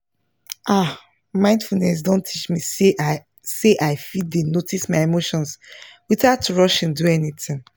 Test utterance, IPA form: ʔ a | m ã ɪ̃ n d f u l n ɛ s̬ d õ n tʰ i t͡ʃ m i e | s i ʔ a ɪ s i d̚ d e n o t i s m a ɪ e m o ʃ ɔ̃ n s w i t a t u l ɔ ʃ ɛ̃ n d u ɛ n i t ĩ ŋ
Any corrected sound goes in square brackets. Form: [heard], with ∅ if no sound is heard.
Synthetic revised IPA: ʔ a | m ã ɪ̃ n d f u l n ɛ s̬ d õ n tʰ i t͡ʃ m i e | s [e] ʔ a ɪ [f] i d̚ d e n o t i s m a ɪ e m o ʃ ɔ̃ n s w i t a t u [ɹ] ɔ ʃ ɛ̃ n d u ɛ n i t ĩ ŋ

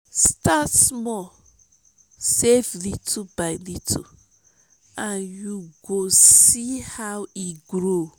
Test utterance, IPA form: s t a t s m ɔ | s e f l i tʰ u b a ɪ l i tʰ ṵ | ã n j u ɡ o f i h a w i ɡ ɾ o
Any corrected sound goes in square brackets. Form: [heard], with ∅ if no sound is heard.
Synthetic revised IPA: s t a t s m ɔ | s e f l i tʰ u b a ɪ l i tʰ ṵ | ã n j u ɡ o [s] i h a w i ɡ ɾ o

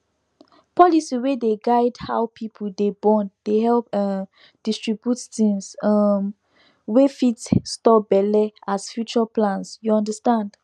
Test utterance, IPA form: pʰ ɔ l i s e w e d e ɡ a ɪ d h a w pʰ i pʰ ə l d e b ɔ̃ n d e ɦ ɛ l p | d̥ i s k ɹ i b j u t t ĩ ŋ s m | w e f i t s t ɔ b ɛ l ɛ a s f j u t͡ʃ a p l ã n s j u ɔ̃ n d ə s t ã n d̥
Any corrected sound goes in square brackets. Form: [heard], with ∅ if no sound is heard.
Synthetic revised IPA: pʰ ɔ l i s [i] w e d e ɡ a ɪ d h a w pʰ i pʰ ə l d e b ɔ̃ n d e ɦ ɛ l p | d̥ i s [t] ɹ i b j u t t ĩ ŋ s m | w e f i t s t ɔ b ɛ l ɛ a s f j u t͡ʃ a p l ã n s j u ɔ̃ n d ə s t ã n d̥

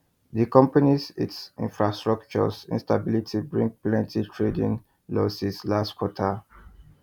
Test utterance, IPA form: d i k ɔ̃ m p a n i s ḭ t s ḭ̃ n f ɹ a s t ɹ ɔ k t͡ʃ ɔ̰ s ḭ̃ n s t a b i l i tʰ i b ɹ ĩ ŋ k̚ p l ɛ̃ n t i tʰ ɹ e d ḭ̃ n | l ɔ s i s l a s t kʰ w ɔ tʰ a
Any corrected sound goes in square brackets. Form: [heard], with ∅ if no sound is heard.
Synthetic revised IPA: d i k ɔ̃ m p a n i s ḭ t s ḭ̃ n f ɹ a s t ɹ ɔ k t͡ʃ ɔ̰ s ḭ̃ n s t a b i l i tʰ i b ɹ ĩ ŋ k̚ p l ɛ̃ n t i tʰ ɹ e d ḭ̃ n | l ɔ s i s l a s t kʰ w ɔ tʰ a

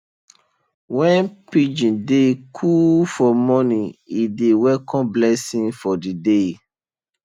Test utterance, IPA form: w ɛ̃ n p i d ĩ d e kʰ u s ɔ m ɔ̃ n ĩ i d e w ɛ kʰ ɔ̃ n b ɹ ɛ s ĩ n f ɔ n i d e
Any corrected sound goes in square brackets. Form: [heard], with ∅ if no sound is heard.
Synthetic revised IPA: w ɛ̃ n p i [d͡ʒ] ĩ d e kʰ u [f] ɔ m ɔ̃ n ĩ i d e w ɛ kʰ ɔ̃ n b [l] ɛ s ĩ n f ɔ [d] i d e

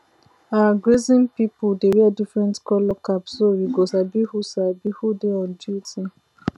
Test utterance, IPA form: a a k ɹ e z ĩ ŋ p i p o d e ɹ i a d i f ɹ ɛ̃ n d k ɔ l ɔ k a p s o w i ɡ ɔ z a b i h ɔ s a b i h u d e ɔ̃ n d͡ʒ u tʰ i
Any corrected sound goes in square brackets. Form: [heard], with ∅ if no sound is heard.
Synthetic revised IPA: a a [ɡ] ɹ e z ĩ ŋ p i p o d e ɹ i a d i f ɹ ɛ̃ n [t] k ɔ l ɔ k a p s o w i ɡ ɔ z a b i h [u] s a b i h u d e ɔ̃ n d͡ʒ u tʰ i

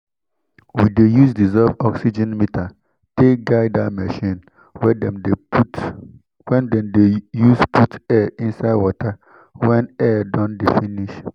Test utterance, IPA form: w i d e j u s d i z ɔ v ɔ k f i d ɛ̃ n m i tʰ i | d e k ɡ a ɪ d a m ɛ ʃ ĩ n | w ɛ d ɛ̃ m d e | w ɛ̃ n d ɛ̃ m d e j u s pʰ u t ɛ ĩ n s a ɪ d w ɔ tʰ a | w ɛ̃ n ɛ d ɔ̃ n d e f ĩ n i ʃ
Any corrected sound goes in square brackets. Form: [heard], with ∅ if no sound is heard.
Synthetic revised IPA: w i d e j u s d i z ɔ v ɔ k [s] i [d͡ʒ] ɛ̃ n m i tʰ [a] | [t] e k ɡ a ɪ d a m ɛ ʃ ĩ n | w ɛ d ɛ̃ m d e | w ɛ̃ n d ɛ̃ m d e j u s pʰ u t ɛ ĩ n s a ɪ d w ɔ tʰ a | w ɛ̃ n ɛ d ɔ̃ n d e f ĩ n i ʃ

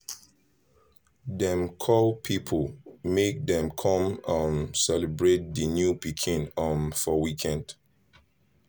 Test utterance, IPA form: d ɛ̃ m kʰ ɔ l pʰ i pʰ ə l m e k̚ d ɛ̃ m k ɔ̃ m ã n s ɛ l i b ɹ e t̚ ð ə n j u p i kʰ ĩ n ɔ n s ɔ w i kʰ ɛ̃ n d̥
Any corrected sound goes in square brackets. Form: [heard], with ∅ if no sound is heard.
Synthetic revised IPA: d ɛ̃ m kʰ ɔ l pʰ i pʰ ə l m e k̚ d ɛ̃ m [kʰ] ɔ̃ m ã n s ɛ l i b ɹ e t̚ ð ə n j u p i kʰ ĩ n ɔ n [f] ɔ w i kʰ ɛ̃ n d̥

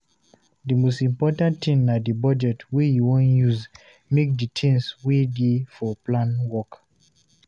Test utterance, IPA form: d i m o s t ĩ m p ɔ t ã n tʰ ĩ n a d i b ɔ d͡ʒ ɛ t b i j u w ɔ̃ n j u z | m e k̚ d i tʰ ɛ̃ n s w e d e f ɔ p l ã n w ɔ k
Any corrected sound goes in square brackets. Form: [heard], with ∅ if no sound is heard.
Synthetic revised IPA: d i m o s t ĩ m p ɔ t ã n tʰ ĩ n a d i b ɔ d͡ʒ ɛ t [w] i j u w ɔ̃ n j u z | m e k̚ d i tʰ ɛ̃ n s w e d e f ɔ p l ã n w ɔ k

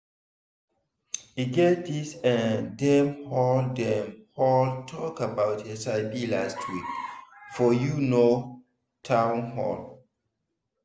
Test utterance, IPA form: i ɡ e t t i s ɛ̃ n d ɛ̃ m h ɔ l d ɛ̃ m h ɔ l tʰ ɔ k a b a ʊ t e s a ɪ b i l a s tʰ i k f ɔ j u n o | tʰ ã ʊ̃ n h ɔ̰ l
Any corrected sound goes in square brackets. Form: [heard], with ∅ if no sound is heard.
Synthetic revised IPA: i ɡ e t [d] i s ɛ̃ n d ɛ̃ m h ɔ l d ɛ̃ m h ɔ l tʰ ɔ k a b a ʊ t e s a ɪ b i l a s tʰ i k f ɔ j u n o | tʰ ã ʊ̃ n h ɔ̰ l

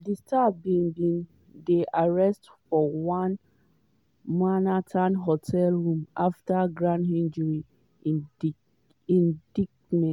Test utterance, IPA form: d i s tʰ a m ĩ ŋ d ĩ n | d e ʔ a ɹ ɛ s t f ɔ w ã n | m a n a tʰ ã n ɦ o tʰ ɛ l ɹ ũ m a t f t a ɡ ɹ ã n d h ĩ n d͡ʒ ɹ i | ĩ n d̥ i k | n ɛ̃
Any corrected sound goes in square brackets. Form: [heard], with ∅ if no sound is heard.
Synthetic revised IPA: d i s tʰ a [b] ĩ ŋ [b] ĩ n | d e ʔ a ɹ ɛ s t f ɔ w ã n | m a n a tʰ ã n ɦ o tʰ ɛ l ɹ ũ m a [∅] f t a ɡ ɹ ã n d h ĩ n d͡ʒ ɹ i | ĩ n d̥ i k | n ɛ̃

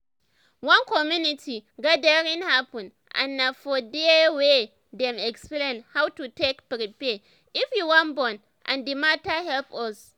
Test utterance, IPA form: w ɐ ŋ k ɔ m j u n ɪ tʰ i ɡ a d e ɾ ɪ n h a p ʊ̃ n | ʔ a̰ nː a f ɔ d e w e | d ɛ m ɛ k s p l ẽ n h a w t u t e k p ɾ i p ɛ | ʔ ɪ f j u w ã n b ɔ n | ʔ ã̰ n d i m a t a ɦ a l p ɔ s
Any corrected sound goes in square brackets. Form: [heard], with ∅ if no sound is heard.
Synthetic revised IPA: w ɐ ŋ k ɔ m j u n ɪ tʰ i ɡ a d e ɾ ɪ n h a p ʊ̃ n | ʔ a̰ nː a f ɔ d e w e | d ɛ m ɛ k s p l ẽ n h a w t u t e k p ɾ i p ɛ | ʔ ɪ f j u w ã n b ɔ n | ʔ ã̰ n d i m a t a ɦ [ɛ] l p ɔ s

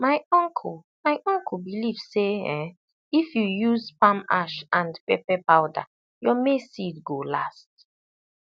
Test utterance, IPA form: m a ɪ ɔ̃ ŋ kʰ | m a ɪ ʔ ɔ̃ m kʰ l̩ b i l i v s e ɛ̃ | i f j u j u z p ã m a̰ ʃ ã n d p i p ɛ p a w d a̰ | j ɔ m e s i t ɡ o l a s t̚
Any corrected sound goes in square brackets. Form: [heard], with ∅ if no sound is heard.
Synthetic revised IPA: m a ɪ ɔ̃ ŋ kʰ | m a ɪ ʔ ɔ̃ [ŋ] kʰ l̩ b i l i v s e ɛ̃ | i f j u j u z p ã m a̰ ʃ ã n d p [ɛ] p ɛ p a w d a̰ | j ɔ m e s i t ɡ o l a s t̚

